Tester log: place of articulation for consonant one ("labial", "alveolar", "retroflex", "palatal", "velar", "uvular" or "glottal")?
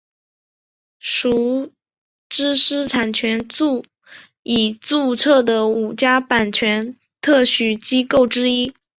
retroflex